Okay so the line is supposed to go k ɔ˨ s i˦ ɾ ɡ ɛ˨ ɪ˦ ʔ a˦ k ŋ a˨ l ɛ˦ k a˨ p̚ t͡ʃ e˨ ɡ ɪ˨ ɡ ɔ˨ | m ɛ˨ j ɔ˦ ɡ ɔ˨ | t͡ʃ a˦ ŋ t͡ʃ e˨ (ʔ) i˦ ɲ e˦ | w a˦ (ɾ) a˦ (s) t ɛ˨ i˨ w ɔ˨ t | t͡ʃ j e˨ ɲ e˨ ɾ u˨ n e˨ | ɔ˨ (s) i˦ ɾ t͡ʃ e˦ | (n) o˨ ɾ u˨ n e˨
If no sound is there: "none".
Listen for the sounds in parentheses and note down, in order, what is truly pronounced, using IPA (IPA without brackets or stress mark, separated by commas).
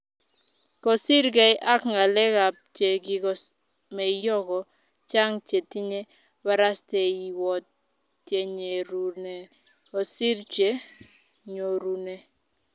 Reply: t, ɾ, s, s, ɲ